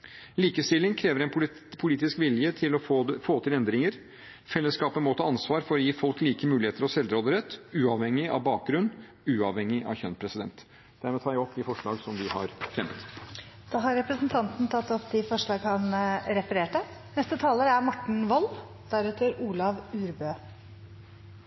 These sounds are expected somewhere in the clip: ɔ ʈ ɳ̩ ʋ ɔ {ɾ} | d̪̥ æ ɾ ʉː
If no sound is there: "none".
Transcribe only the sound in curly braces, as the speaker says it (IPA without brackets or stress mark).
l